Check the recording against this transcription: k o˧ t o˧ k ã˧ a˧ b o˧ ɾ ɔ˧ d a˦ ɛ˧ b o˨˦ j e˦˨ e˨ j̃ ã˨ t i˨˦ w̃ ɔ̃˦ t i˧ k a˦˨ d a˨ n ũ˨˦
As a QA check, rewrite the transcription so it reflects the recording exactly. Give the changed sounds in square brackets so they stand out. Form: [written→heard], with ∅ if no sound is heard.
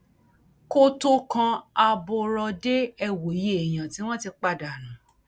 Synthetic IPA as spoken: k o˧ t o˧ k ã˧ a˧ b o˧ ɾ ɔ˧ d [a˦→e˦] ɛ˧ [b→w] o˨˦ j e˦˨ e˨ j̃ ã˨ t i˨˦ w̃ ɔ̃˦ t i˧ [k→k͡p] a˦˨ d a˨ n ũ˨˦